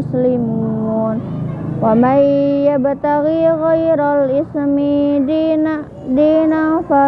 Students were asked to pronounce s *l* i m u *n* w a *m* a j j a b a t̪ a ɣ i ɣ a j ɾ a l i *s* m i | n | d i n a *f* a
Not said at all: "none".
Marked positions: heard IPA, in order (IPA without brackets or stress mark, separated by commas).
l, n, m, s, f